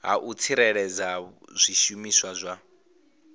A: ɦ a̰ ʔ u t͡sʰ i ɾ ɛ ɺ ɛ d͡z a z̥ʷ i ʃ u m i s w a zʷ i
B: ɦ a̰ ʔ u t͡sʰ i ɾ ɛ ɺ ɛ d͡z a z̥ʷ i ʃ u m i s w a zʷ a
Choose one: B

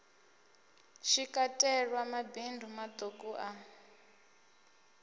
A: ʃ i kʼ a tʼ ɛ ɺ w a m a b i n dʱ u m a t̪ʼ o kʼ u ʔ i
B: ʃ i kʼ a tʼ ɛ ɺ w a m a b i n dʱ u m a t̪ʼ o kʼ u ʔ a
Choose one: B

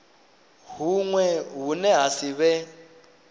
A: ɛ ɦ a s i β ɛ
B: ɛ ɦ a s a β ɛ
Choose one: A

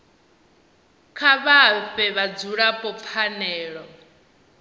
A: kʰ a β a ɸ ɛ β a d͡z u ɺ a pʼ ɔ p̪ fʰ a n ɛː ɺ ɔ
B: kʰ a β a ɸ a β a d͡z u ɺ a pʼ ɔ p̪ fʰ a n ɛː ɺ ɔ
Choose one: A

